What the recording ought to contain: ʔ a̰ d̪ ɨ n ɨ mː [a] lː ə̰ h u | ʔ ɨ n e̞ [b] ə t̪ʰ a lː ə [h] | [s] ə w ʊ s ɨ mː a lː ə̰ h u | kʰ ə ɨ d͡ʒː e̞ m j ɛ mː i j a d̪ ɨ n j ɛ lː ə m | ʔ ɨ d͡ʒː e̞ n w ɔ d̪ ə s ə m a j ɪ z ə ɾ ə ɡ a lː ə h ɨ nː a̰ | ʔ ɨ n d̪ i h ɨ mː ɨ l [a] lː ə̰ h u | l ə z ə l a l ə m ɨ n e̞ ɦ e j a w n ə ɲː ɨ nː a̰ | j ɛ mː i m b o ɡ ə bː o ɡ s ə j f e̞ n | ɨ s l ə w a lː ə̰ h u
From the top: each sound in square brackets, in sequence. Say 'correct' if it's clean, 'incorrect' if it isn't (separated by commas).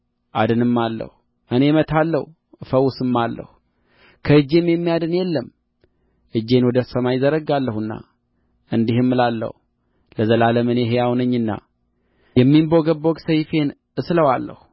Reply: correct, incorrect, correct, incorrect, correct